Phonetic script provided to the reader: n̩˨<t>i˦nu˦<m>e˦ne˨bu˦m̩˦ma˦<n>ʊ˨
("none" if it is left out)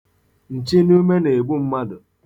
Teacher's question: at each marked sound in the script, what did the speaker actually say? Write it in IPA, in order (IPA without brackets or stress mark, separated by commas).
t͡ʃ, m, d